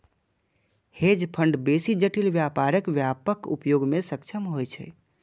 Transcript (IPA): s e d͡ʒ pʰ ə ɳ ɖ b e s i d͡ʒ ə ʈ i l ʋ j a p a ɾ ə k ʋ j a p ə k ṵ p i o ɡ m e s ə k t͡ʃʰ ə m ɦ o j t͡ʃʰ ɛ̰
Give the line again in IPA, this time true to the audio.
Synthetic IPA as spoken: h e d͡ʒ pʰ ə ɳ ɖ b e s i d͡ʒ ə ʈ i l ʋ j a p a ɾ ə k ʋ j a p ə k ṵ p j o ɡ m e s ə k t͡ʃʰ ə m ɦ o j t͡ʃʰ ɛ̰